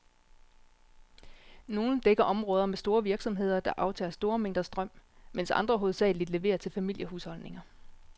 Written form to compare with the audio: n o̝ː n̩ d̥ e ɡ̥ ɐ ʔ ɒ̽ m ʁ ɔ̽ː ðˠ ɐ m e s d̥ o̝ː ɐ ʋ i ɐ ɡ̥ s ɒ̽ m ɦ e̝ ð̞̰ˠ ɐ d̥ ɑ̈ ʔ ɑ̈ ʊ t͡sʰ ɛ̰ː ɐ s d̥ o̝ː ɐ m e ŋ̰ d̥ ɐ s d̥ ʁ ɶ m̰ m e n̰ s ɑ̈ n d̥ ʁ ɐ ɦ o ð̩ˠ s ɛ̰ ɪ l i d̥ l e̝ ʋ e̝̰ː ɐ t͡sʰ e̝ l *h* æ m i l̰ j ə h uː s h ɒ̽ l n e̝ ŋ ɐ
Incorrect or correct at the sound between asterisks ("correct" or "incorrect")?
incorrect